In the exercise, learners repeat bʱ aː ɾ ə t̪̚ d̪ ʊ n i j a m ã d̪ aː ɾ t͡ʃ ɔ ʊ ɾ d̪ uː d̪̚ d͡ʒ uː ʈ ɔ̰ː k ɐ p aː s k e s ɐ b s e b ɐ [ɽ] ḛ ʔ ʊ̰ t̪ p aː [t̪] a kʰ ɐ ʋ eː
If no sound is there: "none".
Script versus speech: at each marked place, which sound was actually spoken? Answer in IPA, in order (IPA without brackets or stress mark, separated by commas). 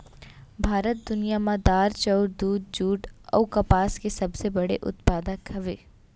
ɽ, d̪